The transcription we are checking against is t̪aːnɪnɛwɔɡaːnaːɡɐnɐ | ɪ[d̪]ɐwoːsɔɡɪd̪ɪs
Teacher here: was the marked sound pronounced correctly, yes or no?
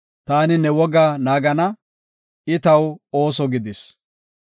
no